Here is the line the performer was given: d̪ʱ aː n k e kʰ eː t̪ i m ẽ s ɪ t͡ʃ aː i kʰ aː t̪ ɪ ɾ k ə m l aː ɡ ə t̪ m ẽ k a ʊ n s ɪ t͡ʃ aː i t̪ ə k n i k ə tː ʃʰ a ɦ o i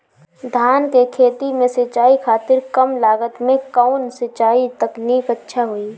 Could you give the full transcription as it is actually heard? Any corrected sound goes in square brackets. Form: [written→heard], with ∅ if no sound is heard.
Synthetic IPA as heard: d̪ʱ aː n k e kʰ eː t̪ i m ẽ s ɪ t͡ʃ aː i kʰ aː t̪ ɪ ɾ k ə m l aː ɡ ə t̪ m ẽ k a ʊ n s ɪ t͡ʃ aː i t̪ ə k n [i→iː] k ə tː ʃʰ a ɦ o i